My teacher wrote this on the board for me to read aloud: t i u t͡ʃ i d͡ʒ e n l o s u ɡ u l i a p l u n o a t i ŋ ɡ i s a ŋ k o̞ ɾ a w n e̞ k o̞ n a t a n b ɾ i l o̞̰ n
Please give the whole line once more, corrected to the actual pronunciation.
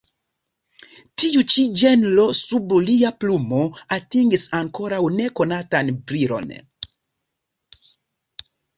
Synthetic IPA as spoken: t i u t͡ʃ i d͡ʒ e n l o s u b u l i a p l u m o a t i ŋ ɡ i s a ŋ k o̞ ɾ a w n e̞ k o̞ n a t a n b ɾ i ɾ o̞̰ n